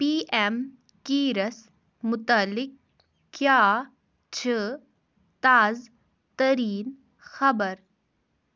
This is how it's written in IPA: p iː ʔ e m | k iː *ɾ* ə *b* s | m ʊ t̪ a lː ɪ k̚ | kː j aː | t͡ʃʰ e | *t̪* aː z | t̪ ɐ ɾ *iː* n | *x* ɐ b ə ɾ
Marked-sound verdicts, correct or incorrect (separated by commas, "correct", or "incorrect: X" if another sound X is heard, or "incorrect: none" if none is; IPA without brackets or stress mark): correct, incorrect: none, correct, correct, correct